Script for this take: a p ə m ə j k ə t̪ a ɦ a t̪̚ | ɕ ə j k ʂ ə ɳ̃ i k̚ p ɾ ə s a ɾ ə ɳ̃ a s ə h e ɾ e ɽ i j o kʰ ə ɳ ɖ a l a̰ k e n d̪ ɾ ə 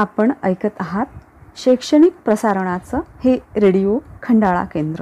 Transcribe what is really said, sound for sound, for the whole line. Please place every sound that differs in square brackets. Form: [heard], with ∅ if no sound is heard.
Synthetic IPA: a p ə [ɳ] ə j k ə t̪ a ɦ a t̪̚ | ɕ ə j k ʂ ə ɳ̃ i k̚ p ɾ ə s a ɾ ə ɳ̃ a [t͡s] ə h e ɾ e ɽ i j o kʰ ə ɳ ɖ a [ɭ] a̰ k e n d̪ ɾ ə